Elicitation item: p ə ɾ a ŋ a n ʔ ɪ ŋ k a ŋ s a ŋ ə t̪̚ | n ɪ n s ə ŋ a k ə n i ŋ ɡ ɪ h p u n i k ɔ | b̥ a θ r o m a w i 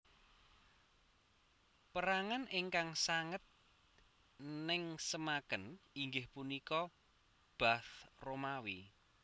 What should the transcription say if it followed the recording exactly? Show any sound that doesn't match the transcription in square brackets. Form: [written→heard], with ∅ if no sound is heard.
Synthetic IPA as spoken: p ə ɾ a ŋ a n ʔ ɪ ŋ k a ŋ s a ŋ ə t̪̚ | n ɪ [n→ŋ] s ə [ŋ→m] a k ə n i ŋ ɡ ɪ h p u n i k ɔ | b̥ a θ r o m a w i

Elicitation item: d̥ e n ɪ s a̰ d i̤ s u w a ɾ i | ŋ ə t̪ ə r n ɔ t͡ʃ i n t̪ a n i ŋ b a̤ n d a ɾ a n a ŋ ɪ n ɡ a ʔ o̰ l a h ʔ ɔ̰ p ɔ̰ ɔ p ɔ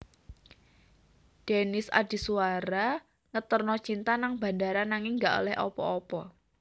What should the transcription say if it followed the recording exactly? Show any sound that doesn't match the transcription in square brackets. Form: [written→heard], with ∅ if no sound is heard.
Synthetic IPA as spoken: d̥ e n ɪ s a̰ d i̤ s u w a ɾ [i→a] | ŋ ə t̪ ə r n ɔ t͡ʃ i n t̪ a n [i→a] ŋ b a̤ n d a ɾ a n a ŋ ɪ [n→ŋ] ɡ a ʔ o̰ l [a→ɛ] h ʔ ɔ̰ p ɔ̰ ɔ p ɔ

